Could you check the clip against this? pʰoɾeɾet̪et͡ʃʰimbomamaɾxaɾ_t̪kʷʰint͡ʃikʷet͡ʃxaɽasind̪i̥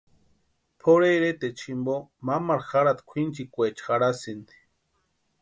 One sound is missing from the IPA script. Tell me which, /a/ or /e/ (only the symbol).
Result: a